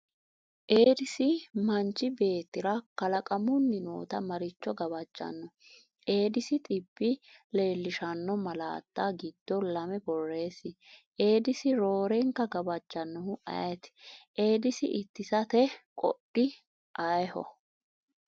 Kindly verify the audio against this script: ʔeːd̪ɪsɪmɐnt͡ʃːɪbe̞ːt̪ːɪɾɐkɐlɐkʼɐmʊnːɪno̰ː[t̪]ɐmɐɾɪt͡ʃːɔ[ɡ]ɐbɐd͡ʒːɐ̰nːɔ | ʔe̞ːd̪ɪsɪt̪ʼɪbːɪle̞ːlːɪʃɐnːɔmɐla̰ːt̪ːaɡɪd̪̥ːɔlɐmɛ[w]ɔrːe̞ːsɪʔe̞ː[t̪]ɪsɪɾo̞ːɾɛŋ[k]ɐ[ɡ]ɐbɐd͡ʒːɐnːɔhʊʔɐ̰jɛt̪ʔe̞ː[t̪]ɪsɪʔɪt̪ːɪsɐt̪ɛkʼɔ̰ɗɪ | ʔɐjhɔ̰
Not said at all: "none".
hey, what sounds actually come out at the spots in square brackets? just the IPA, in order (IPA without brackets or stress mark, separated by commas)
t̪, ɡ, b, d̪, k, ɡ, d̪